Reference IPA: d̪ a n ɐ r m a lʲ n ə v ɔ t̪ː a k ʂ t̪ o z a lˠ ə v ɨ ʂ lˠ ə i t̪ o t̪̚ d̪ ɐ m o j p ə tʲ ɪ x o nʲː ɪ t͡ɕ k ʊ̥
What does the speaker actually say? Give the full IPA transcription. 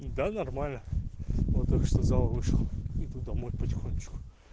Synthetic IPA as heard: d̪ a n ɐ r m a lʲ n ə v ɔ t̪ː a k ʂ t̪ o z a lˠ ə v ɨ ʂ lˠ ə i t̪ u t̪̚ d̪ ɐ m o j p ə tʲ ɪ x o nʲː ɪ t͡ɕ k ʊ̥